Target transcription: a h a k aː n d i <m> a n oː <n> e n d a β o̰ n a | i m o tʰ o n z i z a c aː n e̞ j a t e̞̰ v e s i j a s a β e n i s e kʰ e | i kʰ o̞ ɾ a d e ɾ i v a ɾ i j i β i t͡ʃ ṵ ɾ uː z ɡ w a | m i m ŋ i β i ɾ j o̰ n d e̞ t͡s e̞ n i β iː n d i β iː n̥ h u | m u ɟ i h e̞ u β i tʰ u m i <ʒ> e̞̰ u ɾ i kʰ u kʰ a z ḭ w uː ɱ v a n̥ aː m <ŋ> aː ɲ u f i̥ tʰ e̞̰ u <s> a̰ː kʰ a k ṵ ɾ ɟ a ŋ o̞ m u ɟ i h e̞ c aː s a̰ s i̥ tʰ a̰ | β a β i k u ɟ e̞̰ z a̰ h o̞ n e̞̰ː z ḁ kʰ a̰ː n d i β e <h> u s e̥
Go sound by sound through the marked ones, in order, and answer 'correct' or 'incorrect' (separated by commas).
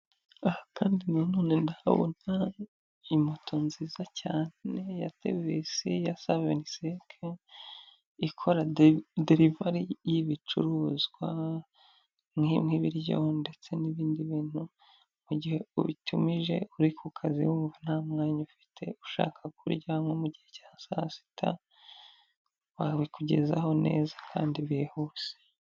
incorrect, correct, correct, correct, incorrect, correct